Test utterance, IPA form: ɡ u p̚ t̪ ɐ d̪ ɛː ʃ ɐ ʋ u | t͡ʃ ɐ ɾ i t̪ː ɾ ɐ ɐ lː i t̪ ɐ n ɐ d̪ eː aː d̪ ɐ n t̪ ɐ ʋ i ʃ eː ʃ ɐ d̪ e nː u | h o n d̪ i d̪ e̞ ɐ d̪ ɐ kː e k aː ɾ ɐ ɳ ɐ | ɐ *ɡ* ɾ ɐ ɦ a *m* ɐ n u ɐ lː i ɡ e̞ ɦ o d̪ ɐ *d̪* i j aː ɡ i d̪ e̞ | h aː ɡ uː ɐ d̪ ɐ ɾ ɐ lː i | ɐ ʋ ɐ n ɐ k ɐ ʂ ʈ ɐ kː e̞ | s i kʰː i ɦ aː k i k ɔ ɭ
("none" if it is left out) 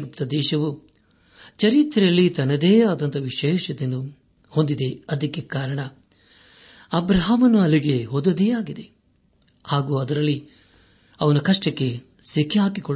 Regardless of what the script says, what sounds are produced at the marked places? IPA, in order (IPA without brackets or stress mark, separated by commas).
b, m, d̪